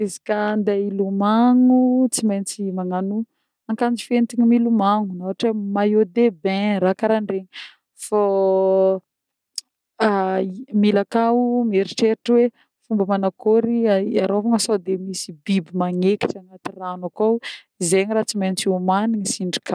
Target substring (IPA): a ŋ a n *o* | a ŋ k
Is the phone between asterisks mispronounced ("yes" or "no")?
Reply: yes